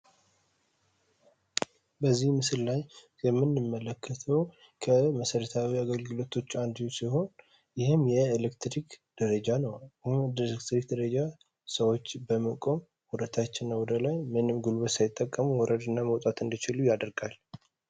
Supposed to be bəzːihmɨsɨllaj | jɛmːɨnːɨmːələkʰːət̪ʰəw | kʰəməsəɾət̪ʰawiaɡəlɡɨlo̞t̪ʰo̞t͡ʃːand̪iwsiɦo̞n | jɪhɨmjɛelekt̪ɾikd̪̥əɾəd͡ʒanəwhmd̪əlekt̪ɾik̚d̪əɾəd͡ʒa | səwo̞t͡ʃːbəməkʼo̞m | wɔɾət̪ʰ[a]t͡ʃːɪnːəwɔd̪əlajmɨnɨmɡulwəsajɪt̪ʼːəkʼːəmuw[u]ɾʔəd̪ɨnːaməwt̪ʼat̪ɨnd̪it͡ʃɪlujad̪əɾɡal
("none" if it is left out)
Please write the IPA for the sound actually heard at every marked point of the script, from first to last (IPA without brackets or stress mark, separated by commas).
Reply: a, ɔ